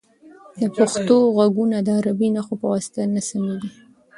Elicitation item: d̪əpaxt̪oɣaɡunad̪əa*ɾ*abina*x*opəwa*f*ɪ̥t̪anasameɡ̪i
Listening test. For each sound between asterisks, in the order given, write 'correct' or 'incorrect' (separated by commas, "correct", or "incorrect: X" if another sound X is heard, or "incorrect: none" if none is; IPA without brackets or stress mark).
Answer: correct, correct, incorrect: s